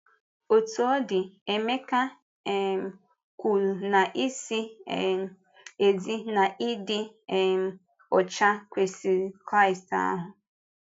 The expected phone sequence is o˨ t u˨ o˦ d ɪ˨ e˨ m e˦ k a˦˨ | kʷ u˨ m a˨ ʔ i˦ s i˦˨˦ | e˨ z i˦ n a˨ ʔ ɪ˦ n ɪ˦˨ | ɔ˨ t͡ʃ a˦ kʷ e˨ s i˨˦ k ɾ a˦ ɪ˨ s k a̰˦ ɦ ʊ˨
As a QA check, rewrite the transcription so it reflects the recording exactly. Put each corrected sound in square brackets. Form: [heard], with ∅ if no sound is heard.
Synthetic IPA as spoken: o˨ t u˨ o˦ d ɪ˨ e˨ m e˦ k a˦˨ | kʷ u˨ [n] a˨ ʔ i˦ s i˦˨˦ | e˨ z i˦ n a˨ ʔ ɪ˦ [d] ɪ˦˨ | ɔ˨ t͡ʃ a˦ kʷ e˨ s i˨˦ k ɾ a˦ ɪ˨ s [t] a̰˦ ɦ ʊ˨